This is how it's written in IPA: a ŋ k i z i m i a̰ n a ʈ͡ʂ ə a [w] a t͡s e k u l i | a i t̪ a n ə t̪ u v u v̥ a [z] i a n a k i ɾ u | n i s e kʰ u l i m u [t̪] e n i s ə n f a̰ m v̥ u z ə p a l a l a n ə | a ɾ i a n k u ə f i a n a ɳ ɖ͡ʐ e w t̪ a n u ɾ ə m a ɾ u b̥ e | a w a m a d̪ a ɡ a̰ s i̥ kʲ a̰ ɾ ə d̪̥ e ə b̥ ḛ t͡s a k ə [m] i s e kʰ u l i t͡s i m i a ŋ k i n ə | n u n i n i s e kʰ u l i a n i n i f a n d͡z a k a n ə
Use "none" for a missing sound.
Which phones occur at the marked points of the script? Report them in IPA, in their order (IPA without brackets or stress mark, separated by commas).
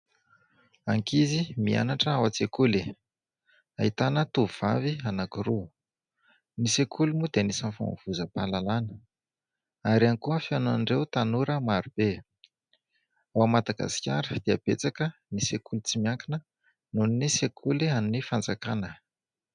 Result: w, v, d̪, n